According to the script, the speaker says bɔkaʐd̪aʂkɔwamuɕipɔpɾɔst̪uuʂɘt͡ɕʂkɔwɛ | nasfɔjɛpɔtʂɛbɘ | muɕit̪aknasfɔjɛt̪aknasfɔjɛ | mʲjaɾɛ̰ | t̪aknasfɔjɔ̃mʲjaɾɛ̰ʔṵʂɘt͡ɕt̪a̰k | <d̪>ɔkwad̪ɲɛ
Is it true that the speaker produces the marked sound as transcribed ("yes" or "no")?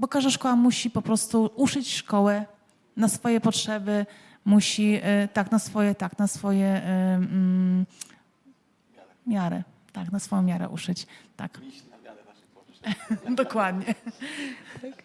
yes